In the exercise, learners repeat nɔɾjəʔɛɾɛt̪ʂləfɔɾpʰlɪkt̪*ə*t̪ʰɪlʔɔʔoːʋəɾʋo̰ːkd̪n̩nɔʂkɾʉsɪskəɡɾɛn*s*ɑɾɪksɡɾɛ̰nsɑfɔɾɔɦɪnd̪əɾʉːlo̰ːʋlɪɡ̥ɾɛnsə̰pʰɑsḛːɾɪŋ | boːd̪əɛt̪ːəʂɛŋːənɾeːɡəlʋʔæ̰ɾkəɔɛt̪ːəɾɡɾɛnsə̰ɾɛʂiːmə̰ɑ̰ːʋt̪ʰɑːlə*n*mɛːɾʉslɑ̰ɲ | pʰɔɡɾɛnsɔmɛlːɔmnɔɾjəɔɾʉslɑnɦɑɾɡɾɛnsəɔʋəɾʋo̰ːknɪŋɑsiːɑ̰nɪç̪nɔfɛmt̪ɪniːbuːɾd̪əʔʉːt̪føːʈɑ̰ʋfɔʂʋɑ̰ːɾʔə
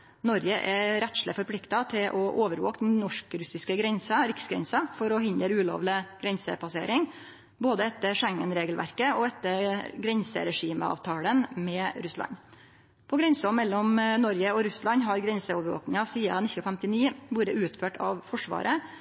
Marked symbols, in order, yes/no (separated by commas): no, yes, yes